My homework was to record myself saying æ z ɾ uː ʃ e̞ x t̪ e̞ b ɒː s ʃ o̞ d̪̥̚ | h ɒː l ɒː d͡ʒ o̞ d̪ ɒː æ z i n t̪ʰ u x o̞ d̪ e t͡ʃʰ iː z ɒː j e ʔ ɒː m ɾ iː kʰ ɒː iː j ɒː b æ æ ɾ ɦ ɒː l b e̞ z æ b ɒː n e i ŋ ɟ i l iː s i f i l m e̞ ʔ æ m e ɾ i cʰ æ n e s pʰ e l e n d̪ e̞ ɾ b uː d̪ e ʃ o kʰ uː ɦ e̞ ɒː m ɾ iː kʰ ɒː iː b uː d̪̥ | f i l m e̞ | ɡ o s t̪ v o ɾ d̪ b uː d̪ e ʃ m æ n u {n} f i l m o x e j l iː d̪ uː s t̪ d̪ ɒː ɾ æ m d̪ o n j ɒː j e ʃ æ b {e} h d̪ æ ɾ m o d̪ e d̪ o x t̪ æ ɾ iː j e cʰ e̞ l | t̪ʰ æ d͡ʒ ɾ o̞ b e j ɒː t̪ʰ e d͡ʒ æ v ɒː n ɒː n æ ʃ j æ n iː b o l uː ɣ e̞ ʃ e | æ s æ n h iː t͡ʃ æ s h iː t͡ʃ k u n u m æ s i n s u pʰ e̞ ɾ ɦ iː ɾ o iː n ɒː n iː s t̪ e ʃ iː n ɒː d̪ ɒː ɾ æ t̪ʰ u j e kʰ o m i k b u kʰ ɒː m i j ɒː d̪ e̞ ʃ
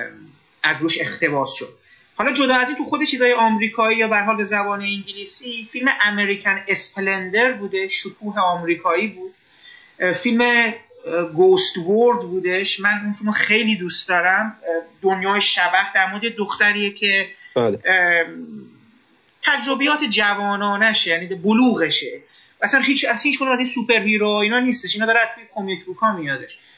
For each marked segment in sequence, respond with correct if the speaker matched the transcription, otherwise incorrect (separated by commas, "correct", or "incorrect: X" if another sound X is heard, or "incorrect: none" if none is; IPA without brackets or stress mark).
correct, incorrect: æ